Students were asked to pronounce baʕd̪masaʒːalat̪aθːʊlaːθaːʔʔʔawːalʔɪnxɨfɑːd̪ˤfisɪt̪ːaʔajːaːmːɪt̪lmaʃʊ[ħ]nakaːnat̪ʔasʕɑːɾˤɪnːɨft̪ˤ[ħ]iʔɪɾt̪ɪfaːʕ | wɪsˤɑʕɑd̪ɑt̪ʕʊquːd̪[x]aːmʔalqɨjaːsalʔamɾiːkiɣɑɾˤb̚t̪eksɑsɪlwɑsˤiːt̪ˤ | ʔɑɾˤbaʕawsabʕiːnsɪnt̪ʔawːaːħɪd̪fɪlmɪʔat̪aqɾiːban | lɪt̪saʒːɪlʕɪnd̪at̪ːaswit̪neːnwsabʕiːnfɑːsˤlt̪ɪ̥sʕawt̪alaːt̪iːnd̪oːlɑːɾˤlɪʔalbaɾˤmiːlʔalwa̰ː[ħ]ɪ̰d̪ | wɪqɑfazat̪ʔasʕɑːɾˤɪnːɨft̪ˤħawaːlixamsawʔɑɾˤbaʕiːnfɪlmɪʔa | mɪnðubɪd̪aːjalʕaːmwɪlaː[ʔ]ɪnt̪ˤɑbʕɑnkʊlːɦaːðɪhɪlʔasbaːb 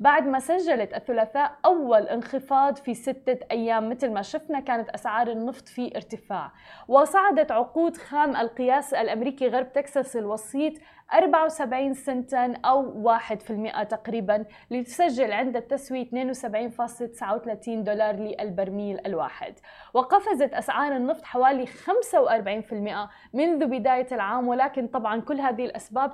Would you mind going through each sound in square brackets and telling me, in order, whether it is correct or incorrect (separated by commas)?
incorrect, incorrect, correct, correct, incorrect